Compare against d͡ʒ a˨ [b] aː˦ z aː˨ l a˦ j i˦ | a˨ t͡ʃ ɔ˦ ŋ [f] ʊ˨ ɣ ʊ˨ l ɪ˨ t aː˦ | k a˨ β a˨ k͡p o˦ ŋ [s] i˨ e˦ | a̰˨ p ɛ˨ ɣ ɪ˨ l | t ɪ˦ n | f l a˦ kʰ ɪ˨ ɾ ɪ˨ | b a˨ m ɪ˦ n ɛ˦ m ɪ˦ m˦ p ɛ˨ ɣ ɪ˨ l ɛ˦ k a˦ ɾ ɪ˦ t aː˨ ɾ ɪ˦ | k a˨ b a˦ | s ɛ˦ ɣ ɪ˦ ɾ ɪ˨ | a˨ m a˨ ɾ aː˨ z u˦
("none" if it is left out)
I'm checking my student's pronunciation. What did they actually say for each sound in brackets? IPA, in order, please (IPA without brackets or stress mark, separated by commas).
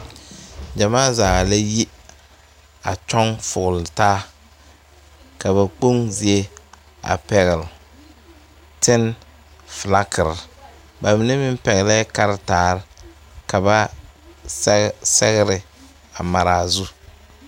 m, f, z